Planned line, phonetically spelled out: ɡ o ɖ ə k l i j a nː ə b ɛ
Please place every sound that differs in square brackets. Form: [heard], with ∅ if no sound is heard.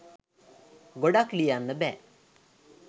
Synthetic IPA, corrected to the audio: ɡ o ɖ [a] k l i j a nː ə b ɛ